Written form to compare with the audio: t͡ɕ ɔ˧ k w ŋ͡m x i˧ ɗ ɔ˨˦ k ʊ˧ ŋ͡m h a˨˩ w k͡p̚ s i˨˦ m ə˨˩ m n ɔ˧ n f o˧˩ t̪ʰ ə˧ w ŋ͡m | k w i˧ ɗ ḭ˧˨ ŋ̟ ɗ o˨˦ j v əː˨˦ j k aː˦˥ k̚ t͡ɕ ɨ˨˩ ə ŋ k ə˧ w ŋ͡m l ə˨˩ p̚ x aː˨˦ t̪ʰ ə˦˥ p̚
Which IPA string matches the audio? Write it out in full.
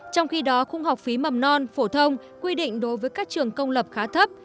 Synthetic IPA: t͡ɕ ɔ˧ w ŋ͡m x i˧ ɗ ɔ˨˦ x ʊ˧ ŋ͡m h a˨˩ w k͡p̚ f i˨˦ m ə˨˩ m n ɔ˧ n f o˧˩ t̪ʰ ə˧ w ŋ͡m | k w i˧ ɗ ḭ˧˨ ŋ̟ ɗ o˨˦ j v əː˨˦ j k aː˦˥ k̚ t͡ɕ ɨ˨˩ ə ŋ k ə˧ w ŋ͡m l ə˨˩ p̚ x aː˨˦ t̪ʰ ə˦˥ p̚

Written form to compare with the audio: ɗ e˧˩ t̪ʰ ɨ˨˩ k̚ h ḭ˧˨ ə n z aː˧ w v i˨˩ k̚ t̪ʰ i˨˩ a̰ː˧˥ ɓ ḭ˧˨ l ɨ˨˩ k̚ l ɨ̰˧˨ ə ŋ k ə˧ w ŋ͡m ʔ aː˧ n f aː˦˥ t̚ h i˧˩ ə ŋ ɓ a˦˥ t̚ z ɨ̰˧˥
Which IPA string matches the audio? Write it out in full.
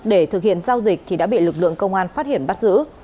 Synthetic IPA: ɗ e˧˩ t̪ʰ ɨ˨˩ k̚ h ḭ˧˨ ə n z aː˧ w z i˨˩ k̚ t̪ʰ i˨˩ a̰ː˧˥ ɓ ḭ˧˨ l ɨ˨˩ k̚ l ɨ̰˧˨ ə ŋ k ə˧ w ŋ͡m ʔ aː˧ n f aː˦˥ t̚ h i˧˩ ə n ɓ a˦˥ t̚ z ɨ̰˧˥

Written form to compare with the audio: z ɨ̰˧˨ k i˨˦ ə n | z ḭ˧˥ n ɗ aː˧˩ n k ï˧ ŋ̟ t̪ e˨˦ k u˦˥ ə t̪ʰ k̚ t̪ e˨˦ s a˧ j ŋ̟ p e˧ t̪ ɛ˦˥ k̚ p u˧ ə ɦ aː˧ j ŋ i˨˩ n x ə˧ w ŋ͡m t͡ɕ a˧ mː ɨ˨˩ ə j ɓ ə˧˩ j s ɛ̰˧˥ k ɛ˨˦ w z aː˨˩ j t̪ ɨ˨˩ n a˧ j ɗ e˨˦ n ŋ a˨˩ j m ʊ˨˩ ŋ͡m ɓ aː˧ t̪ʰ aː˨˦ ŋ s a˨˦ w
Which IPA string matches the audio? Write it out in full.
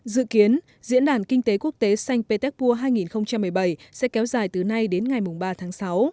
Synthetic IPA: z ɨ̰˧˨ k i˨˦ ə n | z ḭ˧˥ n ɗ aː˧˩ n k ï˧ ŋ̟ t̪ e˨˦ k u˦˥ ə k̚ t̪ e˨˦ s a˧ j ŋ̟ p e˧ t̪ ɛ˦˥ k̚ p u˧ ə ɦ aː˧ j ŋ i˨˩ n x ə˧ w ŋ͡m t͡ɕ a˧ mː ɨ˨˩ ə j ɓ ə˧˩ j s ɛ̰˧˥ k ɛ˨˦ w z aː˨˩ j t̪ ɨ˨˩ n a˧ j ɗ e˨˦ n ŋ a˨˩ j m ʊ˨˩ ŋ͡m ɓ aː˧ t̪ʰ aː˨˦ ŋ s a˨˦ w

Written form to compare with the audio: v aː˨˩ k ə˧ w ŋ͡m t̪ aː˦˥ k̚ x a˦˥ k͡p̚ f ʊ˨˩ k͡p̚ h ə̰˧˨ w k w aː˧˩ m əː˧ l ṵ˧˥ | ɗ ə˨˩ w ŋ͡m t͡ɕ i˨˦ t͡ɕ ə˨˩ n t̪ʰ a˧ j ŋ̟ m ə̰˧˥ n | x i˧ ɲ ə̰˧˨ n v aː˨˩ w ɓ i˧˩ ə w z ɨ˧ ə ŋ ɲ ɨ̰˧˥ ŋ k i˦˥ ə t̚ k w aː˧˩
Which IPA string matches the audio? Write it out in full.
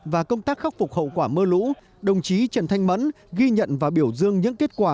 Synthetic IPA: v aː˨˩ k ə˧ w ŋ͡m t̪ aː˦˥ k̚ x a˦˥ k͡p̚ f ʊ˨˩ k͡p̚ h ə̰˧˨ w k w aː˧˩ m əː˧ l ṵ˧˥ | ɗ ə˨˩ w ŋ͡m t͡ɕ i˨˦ t͡ɕ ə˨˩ n t̪ʰ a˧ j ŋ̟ m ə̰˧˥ n | ɣ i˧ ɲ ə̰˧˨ n v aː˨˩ w ɓ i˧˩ ə w z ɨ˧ ə ŋ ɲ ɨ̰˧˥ ŋ k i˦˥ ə t̚ k w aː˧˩

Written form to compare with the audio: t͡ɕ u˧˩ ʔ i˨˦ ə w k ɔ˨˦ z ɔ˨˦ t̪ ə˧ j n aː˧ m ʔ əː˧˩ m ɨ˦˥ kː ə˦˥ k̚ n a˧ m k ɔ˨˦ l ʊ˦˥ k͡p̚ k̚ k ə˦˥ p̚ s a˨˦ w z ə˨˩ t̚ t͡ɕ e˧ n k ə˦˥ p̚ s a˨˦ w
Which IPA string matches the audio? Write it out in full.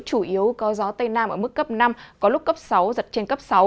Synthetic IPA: t͡ɕ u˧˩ ʔ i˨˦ ə w k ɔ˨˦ z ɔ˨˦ t̪ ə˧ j n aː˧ m ʔ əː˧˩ m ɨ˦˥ kː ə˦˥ p̚ n a˧ m k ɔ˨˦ l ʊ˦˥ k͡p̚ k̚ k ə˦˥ p̚ s a˨˦ w z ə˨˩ t̚ t͡ɕ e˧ n k ə˦˥ p̚ s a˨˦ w

